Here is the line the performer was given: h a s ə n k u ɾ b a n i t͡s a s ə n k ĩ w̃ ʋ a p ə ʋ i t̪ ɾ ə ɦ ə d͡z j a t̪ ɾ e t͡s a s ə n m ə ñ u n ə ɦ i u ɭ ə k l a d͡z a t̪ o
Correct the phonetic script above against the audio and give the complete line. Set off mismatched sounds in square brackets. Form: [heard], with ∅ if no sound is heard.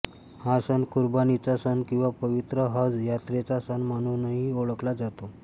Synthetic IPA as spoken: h a s ə n k u ɾ b a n i t͡s a s ə n k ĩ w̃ ʋ a p ə ʋ i t̪ ɾ ə ɦ ə d͡z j a t̪ ɾ e t͡s a s ə n m ə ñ u n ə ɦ i [o] ɭ ə k l a d͡z a t̪ o